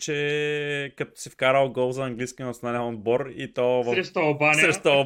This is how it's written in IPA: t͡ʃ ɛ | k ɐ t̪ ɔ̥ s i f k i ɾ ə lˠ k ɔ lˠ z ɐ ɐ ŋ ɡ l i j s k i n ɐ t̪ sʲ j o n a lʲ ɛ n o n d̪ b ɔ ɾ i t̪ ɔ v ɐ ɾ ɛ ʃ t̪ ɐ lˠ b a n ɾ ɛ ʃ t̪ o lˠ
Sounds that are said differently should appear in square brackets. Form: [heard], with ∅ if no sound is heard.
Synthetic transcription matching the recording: t͡ʃ ɛ | k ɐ t̪ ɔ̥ s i f k [a] ɾ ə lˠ [ɡ] ɔ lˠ z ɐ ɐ ŋ ɡ l i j s k i n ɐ t̪ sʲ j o n a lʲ ɛ n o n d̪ b ɔ ɾ i t̪ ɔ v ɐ ɾ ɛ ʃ t̪ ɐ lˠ b a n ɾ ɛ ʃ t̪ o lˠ